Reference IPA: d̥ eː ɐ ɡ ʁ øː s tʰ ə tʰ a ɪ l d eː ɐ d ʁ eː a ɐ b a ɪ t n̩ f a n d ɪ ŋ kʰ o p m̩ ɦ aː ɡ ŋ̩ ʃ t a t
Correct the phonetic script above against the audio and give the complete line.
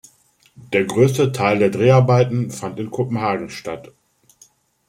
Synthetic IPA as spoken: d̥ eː ɐ ɡ ʁ øː s t ə tʰ a ɪ l d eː ɐ d ʁ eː a ɐ b a ɪ t n̩ f a n t ɪ n kʰ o p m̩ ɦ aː ɡ ŋ̩ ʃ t a t